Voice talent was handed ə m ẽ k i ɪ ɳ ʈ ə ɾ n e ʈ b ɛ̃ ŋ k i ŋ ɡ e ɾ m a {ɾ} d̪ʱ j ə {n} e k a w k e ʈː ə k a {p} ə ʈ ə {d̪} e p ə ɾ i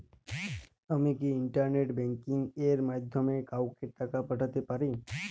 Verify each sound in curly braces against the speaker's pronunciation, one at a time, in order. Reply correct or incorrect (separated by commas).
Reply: incorrect, incorrect, correct, incorrect